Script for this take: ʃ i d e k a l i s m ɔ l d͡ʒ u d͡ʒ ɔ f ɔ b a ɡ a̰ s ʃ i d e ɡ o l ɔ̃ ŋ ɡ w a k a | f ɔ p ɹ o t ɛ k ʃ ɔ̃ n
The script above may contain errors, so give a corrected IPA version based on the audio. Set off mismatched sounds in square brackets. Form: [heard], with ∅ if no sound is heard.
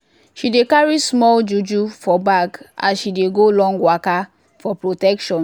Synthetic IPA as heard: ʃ i d e k a [ɹ] i s m ɔ l d͡ʒ u d͡ʒ [u] f ɔ b a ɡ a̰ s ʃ i d e ɡ o l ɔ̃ ŋ ɡ w a k a | f ɔ p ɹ o t ɛ k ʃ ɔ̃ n